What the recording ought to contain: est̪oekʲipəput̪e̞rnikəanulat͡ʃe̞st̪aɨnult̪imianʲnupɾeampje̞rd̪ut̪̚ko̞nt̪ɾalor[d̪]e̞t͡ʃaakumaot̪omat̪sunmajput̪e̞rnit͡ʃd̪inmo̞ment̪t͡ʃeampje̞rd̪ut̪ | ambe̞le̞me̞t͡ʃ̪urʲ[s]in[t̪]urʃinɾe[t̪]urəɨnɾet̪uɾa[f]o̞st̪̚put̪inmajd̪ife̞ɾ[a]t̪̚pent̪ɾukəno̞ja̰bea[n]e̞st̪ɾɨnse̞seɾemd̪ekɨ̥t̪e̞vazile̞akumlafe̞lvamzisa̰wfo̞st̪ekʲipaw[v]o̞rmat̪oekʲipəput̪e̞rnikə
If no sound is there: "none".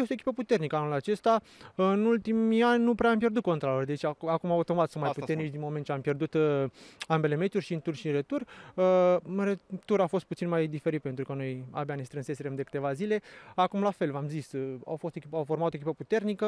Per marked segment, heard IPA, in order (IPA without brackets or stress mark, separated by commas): d̪, ʃ, t̪, t̪, f, i, n, f